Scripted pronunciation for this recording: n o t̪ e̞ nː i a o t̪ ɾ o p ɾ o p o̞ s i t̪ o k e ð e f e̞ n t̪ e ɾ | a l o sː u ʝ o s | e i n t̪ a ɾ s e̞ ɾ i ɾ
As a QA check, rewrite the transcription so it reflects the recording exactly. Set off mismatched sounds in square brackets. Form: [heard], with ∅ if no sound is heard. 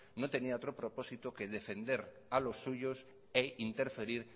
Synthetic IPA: n o t̪ e̞ [n] i a o t̪ ɾ o p ɾ o p o̞ s i t̪ o k e ð e f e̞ n [d̪] e ɾ | a l o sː u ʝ o s | e i n t̪ [e] ɾ [f] e̞ ɾ i ɾ